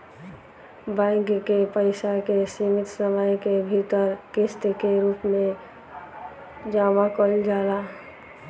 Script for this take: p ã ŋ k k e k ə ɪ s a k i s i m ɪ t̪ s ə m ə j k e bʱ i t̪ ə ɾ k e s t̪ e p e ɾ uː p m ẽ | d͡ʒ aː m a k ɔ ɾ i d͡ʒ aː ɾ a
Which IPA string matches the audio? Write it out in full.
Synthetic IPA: b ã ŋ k k e p ə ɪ s a k e s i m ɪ t̪ s ə m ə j k e bʱ i t̪ ə ɾ k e s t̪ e k e ɾ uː p m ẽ | d͡ʒ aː m a k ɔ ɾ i d͡ʒ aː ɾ a